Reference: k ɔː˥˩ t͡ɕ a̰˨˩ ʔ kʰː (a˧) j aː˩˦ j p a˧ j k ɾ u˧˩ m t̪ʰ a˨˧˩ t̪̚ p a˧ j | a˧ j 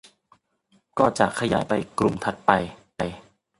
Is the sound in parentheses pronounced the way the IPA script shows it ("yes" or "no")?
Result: yes